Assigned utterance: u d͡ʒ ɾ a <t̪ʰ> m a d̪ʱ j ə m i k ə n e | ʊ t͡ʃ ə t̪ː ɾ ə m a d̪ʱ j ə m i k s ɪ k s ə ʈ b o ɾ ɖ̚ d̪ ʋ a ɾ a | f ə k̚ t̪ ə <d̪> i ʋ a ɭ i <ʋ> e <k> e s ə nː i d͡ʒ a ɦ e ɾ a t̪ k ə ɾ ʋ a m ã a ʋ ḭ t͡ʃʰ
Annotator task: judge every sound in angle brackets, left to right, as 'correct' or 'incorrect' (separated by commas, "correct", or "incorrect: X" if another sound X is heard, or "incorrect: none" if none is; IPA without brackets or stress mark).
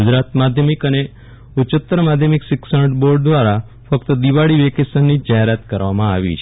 incorrect: t̪, correct, correct, correct